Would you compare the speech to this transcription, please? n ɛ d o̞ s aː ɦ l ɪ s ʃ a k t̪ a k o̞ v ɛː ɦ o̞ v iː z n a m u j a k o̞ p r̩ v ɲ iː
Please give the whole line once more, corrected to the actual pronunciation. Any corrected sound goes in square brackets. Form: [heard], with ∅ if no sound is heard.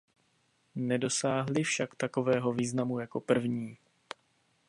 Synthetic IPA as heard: n ɛ d o̞ s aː ɦ l ɪ [f] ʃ a k t̪ a k o̞ v ɛː ɦ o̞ v iː z n a m u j a k o̞ p r̩ v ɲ iː